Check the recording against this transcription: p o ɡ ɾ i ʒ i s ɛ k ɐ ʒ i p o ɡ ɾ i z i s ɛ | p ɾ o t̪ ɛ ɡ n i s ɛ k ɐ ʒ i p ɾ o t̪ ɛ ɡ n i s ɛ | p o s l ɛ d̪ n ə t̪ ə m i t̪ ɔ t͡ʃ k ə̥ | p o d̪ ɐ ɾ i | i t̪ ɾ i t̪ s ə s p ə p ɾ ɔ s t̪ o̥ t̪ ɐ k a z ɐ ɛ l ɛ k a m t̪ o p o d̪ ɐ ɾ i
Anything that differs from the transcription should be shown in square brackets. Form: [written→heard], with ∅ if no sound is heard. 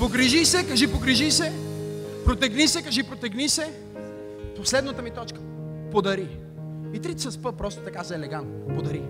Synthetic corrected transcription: p o ɡ ɾ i ʒ i s ɛ k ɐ ʒ i p o ɡ ɾ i [z→ʒ] i s ɛ | p ɾ o t̪ ɛ ɡ n i s ɛ k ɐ ʒ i p ɾ o t̪ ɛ ɡ n i s ɛ | p o s l ɛ d̪ n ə t̪ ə m i t̪ ɔ t͡ʃ k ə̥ | p o d̪ ɐ ɾ i | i t̪ ɾ i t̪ s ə s p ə p ɾ ɔ s t̪ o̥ t̪ ɐ k a z ɐ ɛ l ɛ [k→ɡ] a [m→n] t̪ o p o d̪ ɐ ɾ i